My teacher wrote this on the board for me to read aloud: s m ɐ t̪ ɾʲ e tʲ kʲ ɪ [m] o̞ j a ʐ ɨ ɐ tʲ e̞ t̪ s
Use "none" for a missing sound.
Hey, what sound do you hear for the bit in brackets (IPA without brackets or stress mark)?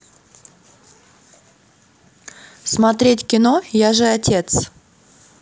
n